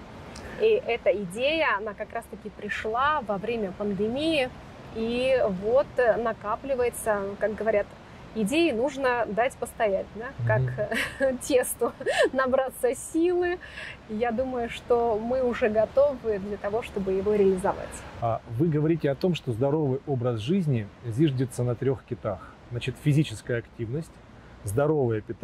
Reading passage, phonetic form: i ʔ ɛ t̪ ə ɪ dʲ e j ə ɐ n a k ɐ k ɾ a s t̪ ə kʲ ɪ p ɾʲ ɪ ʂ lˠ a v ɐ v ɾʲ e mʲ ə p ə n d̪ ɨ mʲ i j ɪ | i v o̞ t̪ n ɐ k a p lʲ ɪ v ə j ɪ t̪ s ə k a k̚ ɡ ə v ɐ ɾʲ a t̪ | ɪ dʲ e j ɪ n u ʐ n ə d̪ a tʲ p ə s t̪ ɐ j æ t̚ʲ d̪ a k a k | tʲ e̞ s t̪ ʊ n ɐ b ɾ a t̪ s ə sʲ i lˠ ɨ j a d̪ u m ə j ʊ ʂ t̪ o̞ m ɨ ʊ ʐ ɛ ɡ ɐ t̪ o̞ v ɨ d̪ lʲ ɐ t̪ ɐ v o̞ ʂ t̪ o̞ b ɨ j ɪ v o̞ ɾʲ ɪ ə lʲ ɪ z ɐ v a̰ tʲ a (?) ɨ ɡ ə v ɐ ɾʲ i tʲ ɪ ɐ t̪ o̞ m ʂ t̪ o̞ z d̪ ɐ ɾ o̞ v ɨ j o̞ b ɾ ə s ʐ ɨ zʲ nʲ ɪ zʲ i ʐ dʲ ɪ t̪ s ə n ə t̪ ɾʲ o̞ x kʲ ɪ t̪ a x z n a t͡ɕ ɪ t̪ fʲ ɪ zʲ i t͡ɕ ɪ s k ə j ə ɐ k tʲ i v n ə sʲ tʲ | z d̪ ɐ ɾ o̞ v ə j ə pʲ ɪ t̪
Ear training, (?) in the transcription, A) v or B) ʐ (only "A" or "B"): A